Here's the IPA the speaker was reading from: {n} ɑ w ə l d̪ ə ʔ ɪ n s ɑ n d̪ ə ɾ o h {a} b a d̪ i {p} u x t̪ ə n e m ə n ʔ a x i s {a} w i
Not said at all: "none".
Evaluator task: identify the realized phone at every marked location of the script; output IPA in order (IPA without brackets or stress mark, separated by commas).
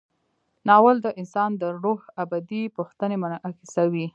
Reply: n, a, p, a